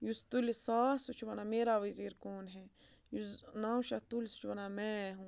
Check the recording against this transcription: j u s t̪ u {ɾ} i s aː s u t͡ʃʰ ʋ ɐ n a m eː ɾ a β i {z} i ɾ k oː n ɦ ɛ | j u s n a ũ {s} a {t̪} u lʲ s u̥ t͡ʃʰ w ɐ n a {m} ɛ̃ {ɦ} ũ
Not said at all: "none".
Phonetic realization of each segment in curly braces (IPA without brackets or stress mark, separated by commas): l, z, ʃ, t̪, m, ɦ